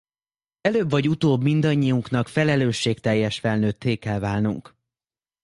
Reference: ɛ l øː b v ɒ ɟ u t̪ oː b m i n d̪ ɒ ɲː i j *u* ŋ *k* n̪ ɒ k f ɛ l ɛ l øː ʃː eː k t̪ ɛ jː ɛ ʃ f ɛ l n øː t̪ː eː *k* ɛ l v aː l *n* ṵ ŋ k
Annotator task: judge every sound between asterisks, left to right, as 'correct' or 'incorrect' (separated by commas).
correct, correct, correct, correct